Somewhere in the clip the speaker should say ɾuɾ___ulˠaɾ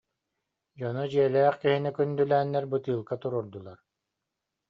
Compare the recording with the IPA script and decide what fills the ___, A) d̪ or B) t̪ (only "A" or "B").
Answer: A